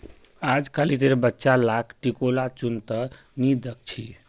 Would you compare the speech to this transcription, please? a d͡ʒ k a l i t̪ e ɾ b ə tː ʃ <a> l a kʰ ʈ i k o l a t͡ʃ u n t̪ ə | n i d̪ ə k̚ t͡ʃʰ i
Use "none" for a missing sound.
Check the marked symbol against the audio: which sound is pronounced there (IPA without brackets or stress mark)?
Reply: a